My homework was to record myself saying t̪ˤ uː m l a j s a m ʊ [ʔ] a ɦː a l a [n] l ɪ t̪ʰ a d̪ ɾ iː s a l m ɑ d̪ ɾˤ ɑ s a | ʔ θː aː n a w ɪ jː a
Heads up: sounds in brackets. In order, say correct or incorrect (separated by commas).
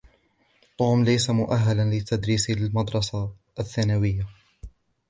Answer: correct, correct